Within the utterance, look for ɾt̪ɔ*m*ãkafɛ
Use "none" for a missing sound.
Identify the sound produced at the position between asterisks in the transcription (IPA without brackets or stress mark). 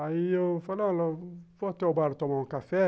m